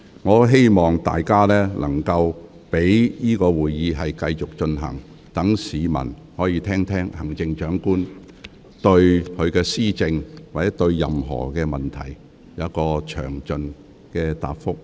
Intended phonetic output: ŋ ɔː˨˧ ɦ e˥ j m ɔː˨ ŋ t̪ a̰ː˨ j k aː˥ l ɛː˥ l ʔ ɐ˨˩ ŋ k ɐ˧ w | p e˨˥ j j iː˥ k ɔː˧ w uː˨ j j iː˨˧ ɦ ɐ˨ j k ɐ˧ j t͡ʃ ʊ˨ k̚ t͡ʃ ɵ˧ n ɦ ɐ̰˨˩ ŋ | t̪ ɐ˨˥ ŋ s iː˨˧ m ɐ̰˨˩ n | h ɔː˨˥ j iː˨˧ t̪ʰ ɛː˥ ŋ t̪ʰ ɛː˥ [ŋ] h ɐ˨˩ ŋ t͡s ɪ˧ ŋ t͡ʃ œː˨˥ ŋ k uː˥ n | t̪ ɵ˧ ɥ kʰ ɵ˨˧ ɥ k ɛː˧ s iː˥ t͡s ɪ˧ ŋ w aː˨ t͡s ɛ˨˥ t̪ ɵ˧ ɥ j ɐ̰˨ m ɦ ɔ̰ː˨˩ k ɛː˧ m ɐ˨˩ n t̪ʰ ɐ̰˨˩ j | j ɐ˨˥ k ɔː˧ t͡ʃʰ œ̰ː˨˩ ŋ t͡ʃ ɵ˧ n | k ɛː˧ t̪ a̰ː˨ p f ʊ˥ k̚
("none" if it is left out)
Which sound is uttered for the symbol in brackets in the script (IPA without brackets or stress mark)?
ŋ